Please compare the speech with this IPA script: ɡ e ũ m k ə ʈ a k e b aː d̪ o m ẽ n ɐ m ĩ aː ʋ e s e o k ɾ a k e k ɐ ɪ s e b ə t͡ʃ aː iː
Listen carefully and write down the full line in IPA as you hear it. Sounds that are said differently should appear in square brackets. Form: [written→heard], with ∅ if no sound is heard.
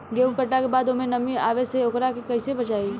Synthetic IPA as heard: ɡ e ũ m k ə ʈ a k e b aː d̪ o m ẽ n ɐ m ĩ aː ʋ e s e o k ɾ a k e k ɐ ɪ s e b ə t͡ʃ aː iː